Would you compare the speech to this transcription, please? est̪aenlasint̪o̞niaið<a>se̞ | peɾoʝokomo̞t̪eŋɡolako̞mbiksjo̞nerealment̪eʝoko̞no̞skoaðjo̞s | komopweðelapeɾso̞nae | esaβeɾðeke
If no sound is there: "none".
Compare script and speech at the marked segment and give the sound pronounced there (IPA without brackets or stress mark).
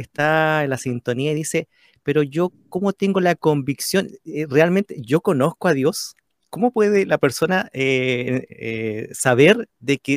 i